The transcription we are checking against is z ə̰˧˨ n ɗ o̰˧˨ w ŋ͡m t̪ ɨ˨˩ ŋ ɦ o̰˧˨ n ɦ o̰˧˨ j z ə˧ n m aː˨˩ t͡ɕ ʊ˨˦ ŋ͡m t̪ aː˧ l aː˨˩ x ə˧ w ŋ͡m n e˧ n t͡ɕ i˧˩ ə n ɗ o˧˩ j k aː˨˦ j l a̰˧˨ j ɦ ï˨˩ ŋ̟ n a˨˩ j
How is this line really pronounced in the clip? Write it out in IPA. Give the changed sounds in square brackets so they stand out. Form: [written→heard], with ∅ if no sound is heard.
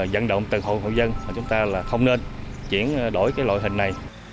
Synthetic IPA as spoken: z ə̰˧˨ n ɗ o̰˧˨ w ŋ͡m t̪ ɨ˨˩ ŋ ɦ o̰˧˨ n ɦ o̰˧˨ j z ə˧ n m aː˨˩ t͡ɕ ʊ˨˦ ŋ͡m t̪ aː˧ l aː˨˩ x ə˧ w ŋ͡m n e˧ n t͡ɕ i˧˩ ə n ɗ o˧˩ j k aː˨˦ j l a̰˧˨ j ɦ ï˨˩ ŋ̟ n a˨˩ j